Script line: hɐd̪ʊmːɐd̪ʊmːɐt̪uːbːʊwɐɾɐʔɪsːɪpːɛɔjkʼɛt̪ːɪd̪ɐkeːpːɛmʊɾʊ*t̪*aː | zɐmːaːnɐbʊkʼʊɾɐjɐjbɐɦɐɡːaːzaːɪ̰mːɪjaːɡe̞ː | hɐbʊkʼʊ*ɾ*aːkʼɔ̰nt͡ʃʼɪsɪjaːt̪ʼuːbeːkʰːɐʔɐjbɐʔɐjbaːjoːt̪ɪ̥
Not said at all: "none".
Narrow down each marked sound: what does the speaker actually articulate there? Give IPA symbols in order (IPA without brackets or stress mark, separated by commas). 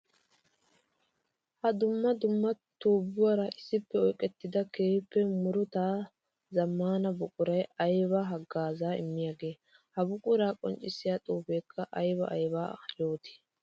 t̪, ɾ